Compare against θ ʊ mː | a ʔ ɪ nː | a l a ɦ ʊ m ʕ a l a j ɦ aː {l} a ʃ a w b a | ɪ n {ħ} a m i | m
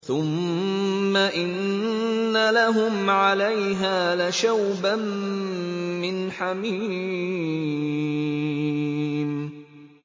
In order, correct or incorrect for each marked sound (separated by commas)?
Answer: correct, correct